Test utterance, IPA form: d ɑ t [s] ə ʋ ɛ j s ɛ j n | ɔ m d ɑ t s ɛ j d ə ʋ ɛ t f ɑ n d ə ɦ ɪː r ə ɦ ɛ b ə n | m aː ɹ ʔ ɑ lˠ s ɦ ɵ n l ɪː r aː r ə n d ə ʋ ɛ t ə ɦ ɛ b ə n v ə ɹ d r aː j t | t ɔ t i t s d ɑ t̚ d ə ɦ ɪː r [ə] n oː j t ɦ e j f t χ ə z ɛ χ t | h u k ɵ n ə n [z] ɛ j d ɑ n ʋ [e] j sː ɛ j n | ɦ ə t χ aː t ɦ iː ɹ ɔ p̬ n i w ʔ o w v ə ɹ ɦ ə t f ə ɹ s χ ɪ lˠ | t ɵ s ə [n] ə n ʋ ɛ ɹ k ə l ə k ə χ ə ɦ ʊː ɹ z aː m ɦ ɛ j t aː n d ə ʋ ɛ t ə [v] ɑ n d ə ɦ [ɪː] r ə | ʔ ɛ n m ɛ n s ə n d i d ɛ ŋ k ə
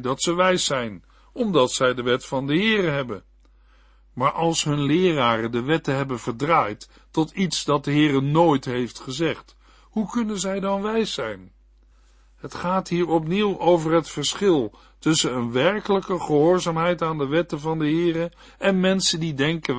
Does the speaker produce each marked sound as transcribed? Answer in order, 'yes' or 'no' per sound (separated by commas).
yes, yes, yes, no, yes, yes, yes